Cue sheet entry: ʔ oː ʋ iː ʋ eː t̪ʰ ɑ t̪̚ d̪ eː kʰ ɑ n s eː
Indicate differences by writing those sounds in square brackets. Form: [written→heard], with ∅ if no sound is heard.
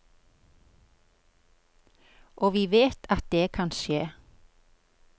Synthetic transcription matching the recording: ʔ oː ʋ iː ʋ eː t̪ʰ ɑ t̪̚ d̪ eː kʰ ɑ n [s→ʃ] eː

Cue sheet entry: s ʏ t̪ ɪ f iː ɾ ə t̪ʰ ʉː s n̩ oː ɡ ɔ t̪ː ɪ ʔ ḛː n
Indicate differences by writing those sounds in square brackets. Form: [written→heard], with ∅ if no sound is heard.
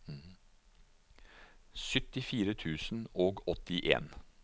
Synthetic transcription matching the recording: s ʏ t̪ ɪ f iː ɾ ə t̪ʰ ʉː s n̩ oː ɡ ɔ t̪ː ɪ ʔ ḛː n

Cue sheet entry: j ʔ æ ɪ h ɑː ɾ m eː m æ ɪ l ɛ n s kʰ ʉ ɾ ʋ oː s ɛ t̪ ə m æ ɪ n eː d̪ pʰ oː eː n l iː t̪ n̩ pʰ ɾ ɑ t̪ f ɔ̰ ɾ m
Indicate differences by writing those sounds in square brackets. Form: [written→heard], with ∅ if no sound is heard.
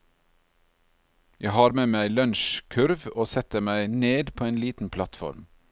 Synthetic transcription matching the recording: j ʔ æ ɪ h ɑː ɾ m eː m æ ɪ l [ɛ→œ] n [s→ʃ] kʰ ʉ ɾ ʋ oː s ɛ t̪ ə m æ ɪ n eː d̪ pʰ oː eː n l iː t̪ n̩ pʰ [ɾ→l] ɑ t̪ f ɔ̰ ɾ m

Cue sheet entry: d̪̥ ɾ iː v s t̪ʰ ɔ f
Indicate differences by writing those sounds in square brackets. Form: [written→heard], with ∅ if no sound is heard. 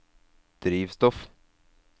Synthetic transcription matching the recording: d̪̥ ɾ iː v s [t̪ʰ→t̪] ɔ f

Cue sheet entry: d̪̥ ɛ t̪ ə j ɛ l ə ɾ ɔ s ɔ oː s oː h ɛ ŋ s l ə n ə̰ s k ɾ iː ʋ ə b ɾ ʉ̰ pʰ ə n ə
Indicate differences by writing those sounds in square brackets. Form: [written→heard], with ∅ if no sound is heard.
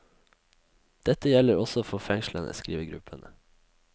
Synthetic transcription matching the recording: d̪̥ ɛ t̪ ə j ɛ l ə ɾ ɔ s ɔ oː [s→f] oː [h→f] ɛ ŋ [s→ʃ] l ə n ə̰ s k ɾ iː ʋ ə [b→ɡ] ɾ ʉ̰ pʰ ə n ə

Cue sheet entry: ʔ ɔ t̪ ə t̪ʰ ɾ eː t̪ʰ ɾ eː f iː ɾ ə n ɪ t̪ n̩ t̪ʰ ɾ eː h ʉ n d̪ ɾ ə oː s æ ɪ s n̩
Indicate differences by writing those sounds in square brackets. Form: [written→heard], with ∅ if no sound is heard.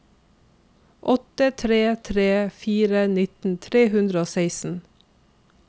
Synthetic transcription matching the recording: ʔ ɔ t̪ ə t̪ʰ ɾ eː t̪ʰ ɾ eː f iː ɾ ə n ɪ t̪ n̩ t̪ʰ ɾ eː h ʉ n d̪ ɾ ə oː s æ ɪ s n̩

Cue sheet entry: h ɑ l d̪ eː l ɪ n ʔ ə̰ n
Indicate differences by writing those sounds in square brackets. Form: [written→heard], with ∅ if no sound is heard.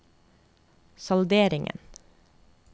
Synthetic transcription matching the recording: [h→s] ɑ l d̪ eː [l→ɾ] ɪ [n→ŋ] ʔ ə̰ n

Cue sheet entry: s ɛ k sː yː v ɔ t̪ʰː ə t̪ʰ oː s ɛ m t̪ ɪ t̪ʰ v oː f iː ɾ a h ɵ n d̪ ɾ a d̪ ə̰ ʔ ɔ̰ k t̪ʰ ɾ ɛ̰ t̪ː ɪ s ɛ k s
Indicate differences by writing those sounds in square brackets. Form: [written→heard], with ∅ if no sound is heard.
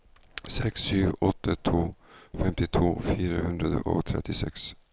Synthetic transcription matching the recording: s ɛ k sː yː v ɔ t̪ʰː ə t̪ʰ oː [s→f] ɛ m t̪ ɪ t̪ʰ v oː f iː ɾ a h ɵ n d̪ ɾ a d̪ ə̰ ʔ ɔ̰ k t̪ʰ ɾ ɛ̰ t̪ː ɪ s ɛ k s

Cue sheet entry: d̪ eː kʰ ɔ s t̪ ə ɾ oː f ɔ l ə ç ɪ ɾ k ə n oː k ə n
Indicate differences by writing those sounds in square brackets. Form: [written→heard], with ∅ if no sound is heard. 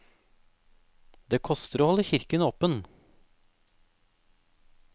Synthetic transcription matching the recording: d̪ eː kʰ ɔ s t̪ ə ɾ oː [f→h] ɔ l ə ç ɪ ɾ k ə n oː [k→p] ə n

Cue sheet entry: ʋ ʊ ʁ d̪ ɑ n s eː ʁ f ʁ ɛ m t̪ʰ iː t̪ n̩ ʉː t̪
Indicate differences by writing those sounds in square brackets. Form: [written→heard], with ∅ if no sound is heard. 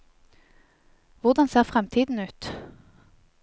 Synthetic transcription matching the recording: ʋ ʊ ʁ d̪ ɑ n s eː ʁ f ʁ ɛ m t̪ʰ iː [t̪→d̪] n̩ ʉː t̪

